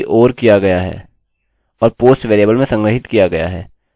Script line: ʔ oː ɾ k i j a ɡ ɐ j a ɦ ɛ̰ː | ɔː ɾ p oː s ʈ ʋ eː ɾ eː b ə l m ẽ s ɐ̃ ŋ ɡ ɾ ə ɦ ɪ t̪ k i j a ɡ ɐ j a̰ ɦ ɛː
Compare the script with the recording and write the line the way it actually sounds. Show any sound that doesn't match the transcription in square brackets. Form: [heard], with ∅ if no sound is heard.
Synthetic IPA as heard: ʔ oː ɾ k i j a ɡ ɐ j a ɦ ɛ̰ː | ɔː ɾ p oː s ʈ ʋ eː ɾ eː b ə l m ẽ s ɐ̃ ŋ ɡ ɾ ə ɦ ɪ t̪ k i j a ɡ ɐ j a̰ ɦ ɛː